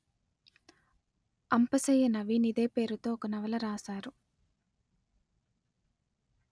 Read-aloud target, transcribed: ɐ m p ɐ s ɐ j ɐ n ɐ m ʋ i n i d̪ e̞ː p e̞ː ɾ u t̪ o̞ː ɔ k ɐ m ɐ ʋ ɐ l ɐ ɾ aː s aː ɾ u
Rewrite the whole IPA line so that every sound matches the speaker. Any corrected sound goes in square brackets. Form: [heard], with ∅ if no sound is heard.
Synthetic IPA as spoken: ɐ m p ɐ s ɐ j ɐ n ɐ [∅] ʋ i n i d̪ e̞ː p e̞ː ɾ u t̪ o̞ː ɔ k ɐ [n] ɐ ʋ ɐ l ɐ ɾ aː s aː ɾ u

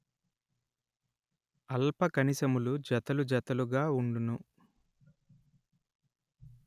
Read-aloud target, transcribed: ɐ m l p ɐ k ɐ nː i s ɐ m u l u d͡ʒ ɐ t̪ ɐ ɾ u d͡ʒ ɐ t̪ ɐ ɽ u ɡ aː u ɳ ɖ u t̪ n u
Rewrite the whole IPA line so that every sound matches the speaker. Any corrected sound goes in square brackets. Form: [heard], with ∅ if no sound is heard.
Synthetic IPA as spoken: ɐ [∅] l p ɐ k ɐ [n] i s ɐ m u l u d͡ʒ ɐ t̪ ɐ [l] u d͡ʒ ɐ t̪ ɐ [l] u ɡ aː u ɳ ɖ u [∅] n u

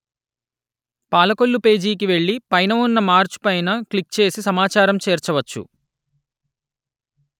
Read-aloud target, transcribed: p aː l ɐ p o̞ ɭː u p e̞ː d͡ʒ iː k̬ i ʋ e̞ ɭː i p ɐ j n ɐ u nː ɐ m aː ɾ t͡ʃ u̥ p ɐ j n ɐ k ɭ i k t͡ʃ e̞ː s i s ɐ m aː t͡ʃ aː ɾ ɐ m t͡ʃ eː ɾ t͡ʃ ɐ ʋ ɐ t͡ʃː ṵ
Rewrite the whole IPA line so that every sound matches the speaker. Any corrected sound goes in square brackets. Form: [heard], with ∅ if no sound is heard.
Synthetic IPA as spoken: p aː l ɐ [k] o̞ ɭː u p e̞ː d͡ʒ iː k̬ i ʋ e̞ ɭː i p ɐ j n ɐ u nː ɐ m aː ɾ t͡ʃ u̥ p ɐ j n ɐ k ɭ i k t͡ʃ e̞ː s i s ɐ m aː t͡ʃ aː ɾ ɐ m t͡ʃ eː ɾ t͡ʃ ɐ ʋ ɐ t͡ʃː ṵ

